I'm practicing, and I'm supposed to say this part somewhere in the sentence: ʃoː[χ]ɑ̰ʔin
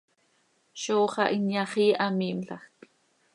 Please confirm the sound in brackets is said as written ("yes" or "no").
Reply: yes